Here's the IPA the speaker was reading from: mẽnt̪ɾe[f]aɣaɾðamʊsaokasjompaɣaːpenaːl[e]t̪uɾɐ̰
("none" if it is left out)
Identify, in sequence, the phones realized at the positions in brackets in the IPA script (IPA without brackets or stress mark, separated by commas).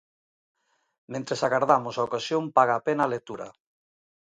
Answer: s, e